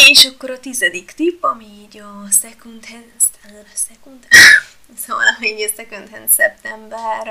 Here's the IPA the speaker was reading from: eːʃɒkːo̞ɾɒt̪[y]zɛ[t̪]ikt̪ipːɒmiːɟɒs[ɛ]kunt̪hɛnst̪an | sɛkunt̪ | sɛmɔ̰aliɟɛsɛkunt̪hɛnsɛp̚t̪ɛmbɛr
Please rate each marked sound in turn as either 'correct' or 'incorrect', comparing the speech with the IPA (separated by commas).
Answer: incorrect, incorrect, correct